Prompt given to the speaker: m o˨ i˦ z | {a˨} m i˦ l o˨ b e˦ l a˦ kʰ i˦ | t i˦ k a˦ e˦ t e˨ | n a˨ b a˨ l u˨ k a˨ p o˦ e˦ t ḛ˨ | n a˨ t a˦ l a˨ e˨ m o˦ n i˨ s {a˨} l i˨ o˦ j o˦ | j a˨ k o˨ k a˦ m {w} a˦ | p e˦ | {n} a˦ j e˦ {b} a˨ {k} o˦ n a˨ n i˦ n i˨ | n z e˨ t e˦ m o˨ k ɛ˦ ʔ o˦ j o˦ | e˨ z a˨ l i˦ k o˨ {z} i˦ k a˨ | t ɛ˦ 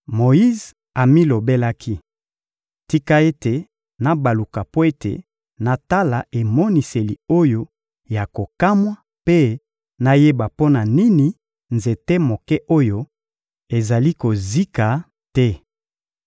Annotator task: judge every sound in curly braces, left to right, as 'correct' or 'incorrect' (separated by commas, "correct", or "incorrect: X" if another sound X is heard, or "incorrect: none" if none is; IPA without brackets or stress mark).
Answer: correct, incorrect: e˨, correct, correct, correct, incorrect: p, correct